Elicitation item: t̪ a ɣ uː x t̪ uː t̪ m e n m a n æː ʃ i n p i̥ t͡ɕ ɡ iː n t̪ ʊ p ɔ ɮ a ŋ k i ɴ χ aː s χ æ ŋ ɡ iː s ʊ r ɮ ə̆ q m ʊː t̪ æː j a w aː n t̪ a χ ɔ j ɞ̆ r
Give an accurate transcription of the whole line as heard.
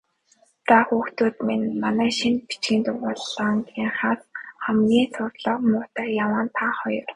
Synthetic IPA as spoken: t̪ a x uː x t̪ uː t̪ m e n m a n æː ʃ i n p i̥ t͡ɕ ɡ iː n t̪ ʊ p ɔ ɮ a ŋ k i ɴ χ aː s χ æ m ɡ iː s ʊ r ɮ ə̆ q m ʊː t̪ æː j a w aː n t̪ʰ a χ ɔ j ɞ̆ r